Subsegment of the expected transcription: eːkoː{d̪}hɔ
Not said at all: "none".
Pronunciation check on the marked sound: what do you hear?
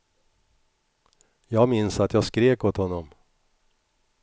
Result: t̪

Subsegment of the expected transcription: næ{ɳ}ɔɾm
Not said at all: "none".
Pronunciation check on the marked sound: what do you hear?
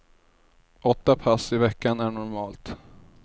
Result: ɳ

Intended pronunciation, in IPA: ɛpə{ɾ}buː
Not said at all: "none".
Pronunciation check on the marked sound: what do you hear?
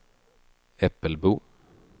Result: l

